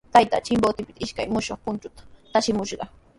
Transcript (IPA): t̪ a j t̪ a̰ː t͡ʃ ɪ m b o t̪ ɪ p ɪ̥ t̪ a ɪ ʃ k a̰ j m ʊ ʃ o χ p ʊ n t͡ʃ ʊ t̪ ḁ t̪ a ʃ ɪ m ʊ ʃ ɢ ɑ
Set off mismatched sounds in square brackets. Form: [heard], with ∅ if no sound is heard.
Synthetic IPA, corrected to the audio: t̪ a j t̪ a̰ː t͡ʃ ɪ m b o t̪ ɪ p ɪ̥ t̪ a ɪ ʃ k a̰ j m ʊ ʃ o χ p ʊ n t͡ʃ ʊ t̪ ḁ t̪ a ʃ ɪ m ʊ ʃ ɢ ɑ